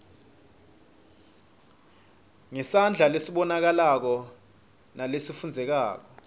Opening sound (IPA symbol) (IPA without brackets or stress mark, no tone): ŋ